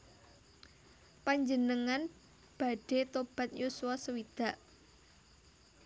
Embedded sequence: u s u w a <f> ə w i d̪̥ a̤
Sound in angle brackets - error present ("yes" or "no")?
yes